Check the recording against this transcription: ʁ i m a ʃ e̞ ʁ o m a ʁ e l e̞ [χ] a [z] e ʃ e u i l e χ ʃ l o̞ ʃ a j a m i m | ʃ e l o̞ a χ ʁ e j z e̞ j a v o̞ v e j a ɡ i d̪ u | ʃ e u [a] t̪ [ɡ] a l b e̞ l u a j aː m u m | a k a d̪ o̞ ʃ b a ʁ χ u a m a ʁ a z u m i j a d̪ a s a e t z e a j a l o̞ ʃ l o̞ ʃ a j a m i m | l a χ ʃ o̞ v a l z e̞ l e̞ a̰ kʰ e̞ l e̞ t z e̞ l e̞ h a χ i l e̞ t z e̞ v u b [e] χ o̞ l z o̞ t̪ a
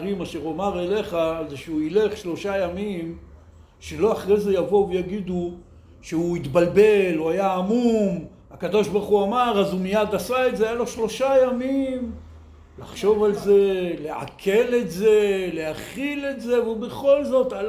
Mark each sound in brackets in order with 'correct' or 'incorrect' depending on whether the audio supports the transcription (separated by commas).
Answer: correct, correct, incorrect, incorrect, correct